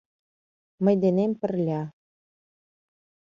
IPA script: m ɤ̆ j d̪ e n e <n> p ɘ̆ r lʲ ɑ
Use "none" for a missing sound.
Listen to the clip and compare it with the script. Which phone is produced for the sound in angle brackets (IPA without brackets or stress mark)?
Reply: m